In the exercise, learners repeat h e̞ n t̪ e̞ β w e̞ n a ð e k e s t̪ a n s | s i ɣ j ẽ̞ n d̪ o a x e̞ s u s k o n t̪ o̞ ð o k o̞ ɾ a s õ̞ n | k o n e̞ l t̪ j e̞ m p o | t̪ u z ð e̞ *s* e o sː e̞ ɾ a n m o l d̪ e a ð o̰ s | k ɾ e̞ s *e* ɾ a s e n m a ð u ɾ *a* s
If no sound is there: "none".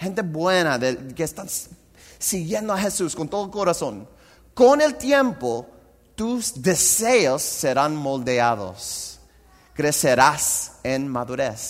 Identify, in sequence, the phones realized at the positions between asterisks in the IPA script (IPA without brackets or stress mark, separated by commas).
s, e, e